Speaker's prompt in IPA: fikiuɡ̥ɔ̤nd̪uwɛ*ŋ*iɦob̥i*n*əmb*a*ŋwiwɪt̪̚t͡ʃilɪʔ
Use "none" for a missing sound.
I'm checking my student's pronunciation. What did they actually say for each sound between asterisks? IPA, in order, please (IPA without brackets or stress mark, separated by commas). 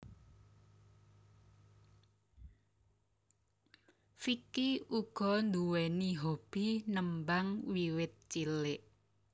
n, n, a